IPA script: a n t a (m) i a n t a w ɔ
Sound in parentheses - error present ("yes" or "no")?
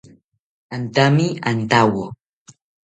no